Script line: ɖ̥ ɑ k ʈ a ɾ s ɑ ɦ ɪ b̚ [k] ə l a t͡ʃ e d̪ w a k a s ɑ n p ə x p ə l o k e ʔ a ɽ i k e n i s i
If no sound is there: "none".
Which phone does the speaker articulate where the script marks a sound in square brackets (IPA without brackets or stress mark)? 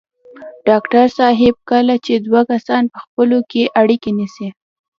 k